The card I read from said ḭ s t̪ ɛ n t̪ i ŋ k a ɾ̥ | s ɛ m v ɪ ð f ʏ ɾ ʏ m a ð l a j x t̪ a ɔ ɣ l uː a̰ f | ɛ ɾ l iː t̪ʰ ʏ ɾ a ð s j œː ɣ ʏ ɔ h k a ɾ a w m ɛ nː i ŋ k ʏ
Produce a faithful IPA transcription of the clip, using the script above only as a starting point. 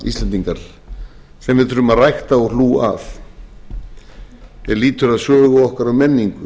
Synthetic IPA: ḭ s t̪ ɛ n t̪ i ŋ k a ɾ̥ | s ɛ m v ɪ ð θ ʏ ɾ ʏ m a ð r a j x t̪ a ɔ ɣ l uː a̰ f | ɛ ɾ l iː t̪ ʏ ɾ a ð s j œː ɣ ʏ ɔ h k a ɾ a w m ɛ nː i ŋ k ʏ